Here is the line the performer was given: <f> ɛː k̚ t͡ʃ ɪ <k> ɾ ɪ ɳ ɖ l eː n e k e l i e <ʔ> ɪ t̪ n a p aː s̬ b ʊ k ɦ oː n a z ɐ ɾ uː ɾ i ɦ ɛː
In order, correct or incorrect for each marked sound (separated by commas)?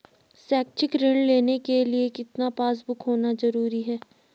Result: incorrect, correct, incorrect